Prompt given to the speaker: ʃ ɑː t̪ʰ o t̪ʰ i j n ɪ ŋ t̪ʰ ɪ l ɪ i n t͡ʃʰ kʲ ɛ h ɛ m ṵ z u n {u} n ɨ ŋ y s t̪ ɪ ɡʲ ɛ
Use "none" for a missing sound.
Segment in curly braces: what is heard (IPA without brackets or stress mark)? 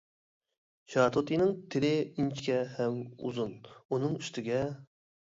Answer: u